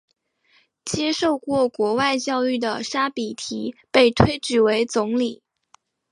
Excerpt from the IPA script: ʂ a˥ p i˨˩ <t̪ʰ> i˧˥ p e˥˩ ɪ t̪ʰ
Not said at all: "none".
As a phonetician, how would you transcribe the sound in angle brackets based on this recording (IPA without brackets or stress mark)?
t̪ʰ